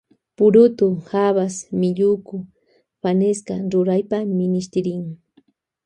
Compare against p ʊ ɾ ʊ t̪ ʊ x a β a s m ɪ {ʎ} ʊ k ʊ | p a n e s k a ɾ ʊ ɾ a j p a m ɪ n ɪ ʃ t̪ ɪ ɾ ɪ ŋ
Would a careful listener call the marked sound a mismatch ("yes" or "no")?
no